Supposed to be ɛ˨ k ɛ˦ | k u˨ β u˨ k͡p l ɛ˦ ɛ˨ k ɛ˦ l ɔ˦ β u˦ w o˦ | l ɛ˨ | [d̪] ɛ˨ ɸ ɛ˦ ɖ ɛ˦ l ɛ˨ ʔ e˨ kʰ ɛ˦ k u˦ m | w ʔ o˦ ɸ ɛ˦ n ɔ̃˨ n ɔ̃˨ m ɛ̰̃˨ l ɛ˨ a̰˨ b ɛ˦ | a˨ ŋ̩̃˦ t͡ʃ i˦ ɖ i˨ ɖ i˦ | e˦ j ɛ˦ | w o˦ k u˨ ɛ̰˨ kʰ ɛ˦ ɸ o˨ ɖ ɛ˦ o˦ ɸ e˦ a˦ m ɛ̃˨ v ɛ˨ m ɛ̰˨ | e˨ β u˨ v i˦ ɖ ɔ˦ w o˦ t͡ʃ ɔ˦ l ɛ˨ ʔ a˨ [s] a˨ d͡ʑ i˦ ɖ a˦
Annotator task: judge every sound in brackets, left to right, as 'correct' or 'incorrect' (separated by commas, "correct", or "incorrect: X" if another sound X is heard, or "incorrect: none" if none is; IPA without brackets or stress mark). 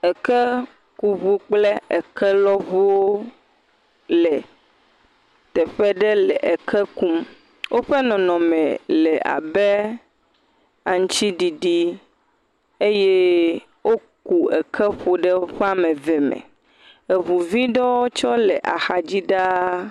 incorrect: t̪, incorrect: x